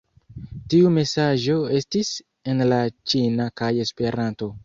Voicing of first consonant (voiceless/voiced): voiceless